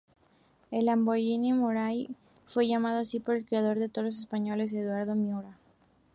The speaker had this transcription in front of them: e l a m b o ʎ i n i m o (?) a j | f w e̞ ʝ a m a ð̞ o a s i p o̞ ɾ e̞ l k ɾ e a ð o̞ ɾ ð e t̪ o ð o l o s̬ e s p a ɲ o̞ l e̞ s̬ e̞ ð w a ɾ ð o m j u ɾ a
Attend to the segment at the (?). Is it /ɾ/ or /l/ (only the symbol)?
ɾ